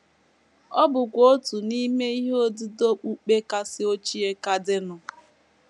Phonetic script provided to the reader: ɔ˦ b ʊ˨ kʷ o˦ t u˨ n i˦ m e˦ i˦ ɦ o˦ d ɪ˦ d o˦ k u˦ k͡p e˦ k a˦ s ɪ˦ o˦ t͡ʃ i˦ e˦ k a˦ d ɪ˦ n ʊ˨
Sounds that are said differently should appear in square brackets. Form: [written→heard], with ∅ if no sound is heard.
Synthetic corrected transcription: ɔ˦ b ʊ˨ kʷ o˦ t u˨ n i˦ m e˦ i˦ ɦ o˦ d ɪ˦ d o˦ [k→k͡p] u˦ k͡p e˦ k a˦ s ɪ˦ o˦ t͡ʃ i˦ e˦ k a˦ d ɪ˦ n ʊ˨